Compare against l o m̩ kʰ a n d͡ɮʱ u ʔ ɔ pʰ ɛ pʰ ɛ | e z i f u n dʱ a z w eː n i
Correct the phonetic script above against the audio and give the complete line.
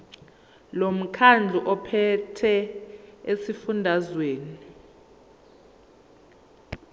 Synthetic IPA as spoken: l o m̩ kʰ a n d͡ɮʱ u ʔ ɔ pʰ ɛ tʰ ɛ | e s i f u n dʱ a z w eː n i